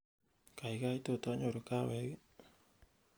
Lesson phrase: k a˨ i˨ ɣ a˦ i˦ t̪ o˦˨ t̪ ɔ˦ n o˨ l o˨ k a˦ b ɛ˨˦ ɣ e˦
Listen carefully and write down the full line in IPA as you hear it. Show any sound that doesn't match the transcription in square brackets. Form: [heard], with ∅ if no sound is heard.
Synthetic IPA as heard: k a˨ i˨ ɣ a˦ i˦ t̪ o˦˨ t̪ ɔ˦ [ɲ] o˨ [ɾ] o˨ k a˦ [w] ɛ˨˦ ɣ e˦